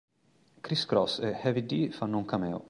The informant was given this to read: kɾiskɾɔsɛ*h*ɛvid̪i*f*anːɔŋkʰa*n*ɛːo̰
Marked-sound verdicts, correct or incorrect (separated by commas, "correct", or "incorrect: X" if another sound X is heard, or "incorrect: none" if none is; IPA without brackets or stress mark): correct, correct, incorrect: m